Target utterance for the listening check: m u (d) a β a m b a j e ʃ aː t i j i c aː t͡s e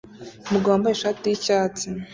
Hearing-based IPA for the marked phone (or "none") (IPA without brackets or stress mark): ɡ